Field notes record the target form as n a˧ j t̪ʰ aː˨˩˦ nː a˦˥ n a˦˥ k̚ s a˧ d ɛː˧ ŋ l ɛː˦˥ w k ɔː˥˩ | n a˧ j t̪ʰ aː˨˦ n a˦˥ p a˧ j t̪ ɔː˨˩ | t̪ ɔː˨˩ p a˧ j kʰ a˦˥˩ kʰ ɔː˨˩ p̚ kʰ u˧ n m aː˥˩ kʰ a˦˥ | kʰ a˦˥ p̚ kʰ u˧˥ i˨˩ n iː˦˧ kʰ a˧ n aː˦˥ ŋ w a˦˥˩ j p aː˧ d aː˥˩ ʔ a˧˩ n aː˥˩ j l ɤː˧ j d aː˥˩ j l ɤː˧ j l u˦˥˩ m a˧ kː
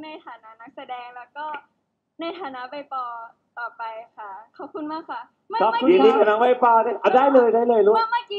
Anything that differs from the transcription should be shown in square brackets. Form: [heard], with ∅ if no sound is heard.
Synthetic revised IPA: n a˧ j t̪ʰ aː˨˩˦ [n] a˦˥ n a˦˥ k̚ s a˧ d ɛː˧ ŋ l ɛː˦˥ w k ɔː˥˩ | n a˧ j t̪ʰ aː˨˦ n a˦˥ p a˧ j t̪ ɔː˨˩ | t̪ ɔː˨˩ p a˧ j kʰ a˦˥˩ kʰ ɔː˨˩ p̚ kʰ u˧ n m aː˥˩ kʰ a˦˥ | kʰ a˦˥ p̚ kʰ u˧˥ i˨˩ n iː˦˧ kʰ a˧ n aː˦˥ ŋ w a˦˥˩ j p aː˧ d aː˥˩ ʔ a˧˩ [d] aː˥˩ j l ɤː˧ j d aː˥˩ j l ɤː˧ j l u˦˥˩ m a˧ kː